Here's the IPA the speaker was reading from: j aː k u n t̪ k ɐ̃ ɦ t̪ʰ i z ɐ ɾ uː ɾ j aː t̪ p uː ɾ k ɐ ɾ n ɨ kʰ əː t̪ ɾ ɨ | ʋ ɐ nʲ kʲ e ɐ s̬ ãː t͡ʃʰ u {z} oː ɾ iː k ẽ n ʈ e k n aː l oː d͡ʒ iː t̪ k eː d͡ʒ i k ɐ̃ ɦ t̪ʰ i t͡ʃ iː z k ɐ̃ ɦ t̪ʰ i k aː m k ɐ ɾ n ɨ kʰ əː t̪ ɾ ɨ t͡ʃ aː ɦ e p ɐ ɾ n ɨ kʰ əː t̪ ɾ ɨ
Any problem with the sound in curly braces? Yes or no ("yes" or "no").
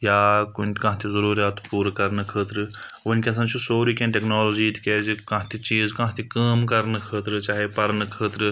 yes